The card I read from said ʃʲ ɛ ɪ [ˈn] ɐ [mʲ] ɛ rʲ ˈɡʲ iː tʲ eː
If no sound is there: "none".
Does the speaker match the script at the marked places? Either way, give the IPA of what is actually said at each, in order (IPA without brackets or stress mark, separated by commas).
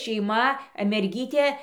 m, mʲ